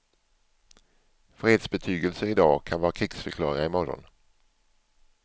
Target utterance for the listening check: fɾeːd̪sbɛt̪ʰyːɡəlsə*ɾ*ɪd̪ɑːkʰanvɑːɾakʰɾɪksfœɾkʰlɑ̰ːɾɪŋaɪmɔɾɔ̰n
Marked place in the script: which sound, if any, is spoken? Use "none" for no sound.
ɾ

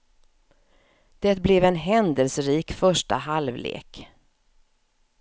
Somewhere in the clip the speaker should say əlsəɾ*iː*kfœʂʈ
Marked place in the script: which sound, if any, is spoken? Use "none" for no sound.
iː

